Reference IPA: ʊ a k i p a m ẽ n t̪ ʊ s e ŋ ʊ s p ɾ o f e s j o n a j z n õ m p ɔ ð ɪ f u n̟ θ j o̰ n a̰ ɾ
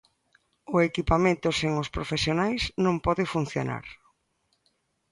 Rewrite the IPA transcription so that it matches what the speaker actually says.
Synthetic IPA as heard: ʊ e k i p a m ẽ n t̪ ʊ s e ŋ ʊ s p ɾ o f e s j o n a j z n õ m p ɔ ð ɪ f u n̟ θ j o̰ n a̰ ɾ